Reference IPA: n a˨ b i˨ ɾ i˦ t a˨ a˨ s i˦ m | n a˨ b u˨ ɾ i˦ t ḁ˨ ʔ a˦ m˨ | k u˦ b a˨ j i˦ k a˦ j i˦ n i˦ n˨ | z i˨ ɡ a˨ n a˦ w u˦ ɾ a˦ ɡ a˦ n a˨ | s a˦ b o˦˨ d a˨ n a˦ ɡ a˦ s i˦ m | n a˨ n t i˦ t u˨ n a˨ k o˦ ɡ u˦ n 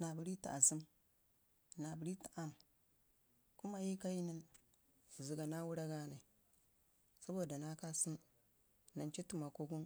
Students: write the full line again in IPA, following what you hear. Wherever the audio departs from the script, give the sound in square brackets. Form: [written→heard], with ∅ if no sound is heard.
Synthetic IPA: n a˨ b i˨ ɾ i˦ t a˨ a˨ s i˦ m | n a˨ b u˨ ɾ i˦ t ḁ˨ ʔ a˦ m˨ | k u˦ [b→m] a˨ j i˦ k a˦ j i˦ n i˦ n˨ | z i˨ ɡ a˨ n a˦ w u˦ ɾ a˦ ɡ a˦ n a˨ | s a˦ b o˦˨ d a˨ n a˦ [ɡ→k] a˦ s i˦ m | n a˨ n [t→t͡ʃ] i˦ t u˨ [n→m] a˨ k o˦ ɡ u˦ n